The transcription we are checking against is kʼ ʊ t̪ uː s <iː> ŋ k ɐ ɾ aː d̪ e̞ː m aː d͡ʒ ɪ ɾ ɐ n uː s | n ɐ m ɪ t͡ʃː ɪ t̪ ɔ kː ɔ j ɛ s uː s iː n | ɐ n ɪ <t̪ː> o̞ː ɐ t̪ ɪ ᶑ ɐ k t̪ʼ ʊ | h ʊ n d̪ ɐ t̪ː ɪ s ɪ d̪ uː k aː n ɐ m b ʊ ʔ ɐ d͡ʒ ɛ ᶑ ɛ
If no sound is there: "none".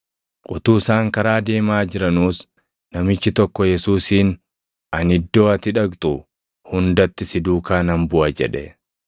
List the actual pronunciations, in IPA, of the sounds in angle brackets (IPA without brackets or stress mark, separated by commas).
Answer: aː, d̪ː